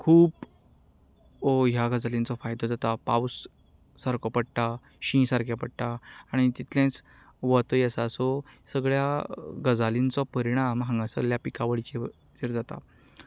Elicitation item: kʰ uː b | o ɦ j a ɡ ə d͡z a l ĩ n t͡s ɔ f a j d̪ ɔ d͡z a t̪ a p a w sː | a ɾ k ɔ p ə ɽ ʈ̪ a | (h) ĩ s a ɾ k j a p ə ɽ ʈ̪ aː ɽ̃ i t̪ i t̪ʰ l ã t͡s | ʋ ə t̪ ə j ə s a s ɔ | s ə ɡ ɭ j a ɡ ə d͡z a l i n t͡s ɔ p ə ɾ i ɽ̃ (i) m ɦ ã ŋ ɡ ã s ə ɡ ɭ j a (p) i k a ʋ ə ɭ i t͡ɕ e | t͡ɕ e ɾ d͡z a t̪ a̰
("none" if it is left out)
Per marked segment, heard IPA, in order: ɕ, a, p

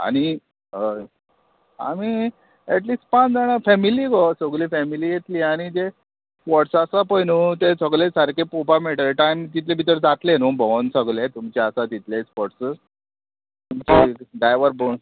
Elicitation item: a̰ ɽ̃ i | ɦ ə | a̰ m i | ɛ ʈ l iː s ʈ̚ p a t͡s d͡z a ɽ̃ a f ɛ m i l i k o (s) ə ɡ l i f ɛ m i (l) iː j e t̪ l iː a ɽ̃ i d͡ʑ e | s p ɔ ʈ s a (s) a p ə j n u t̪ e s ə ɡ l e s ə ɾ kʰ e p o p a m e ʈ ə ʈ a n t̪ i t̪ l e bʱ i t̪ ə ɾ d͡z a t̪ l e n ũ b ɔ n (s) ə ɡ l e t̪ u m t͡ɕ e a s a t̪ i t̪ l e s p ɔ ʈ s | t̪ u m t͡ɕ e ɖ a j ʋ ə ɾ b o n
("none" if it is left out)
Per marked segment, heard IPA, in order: s, l, s, s

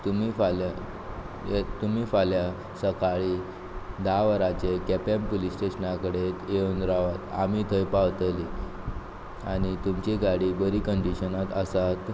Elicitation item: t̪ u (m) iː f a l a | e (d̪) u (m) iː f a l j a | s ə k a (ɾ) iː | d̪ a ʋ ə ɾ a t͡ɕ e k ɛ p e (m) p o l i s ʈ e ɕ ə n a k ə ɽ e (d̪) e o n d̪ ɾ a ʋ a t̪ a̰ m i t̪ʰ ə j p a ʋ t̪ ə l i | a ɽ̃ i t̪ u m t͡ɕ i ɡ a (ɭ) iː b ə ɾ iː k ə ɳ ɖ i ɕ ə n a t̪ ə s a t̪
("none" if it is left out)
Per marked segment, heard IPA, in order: m, t̪, m, ɭ, m, t̪, ɽ

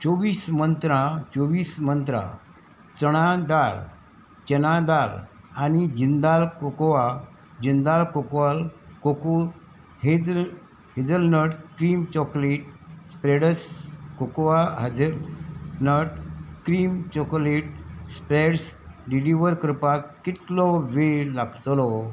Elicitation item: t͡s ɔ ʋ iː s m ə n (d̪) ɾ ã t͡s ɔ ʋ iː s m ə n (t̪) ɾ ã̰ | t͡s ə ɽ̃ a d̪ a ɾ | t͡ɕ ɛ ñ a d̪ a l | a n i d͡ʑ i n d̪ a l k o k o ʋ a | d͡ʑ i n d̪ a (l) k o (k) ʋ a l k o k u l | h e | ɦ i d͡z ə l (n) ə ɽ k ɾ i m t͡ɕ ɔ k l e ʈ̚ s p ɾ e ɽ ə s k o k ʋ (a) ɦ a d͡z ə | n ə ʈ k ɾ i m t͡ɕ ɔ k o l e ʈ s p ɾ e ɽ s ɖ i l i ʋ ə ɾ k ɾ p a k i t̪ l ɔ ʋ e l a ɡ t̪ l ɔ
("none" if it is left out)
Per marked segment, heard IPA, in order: t̪, t̪, l, k, n, a

